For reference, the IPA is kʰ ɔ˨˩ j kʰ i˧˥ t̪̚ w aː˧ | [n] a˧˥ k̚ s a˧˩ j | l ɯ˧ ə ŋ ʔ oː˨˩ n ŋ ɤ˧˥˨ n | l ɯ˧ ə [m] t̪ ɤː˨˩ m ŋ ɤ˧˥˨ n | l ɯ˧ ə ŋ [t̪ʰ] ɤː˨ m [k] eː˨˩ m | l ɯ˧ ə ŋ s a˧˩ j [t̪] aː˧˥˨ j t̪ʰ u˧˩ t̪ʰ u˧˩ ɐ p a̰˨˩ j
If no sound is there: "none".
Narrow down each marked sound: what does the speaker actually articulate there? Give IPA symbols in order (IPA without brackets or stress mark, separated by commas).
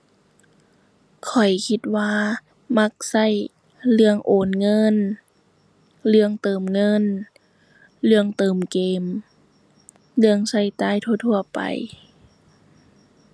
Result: m, ŋ, t̪, k, t̪